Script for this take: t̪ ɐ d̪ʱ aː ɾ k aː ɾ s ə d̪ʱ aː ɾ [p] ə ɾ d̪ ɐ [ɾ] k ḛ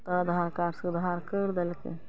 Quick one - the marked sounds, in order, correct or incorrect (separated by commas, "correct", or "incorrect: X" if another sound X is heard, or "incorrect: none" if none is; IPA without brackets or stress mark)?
incorrect: k, incorrect: l